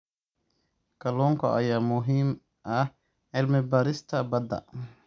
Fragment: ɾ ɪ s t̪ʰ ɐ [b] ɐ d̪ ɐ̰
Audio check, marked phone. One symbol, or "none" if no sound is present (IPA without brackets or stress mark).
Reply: b